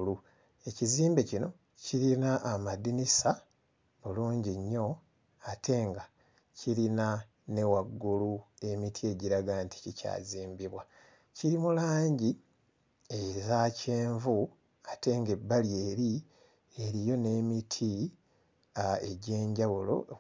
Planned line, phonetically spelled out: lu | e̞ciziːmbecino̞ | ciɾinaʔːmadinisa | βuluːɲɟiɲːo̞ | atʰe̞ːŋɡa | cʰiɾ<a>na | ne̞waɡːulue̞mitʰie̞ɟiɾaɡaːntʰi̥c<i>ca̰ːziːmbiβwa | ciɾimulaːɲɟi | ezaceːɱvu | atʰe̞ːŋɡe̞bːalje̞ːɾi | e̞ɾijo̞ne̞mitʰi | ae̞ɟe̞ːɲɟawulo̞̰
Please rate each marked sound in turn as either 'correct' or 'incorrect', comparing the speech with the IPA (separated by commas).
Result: incorrect, correct